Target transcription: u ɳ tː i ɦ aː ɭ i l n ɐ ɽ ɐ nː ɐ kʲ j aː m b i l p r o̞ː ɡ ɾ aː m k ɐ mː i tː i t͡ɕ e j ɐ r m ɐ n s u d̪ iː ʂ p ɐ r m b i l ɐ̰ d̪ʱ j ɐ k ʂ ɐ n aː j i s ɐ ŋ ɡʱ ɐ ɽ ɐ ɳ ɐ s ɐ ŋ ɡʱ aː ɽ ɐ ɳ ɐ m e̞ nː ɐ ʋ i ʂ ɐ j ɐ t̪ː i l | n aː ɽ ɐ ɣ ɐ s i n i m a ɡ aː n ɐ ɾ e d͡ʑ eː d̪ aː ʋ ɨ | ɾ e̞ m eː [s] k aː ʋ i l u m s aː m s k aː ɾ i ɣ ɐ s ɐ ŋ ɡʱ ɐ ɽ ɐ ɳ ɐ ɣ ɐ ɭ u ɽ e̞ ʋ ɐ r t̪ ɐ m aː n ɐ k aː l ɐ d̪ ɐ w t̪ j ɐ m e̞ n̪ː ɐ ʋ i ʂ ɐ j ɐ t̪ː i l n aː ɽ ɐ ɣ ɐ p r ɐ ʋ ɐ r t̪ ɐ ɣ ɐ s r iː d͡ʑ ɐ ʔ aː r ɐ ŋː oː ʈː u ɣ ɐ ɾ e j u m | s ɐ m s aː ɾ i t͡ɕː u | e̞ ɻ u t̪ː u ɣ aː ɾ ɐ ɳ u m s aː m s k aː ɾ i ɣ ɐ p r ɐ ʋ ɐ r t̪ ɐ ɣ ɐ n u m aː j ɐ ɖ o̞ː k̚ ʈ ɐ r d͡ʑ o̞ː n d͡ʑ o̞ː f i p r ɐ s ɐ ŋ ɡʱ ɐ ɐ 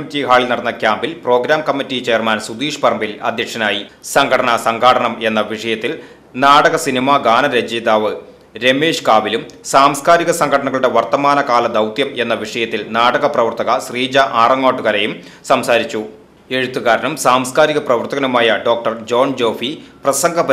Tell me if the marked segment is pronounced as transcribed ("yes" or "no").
no